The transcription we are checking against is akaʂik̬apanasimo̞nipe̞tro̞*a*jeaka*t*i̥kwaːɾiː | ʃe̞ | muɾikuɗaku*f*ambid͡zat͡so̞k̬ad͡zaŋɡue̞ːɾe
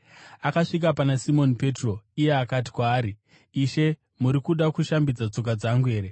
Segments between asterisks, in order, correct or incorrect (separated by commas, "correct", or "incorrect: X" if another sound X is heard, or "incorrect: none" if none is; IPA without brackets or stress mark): incorrect: i, correct, incorrect: ʃ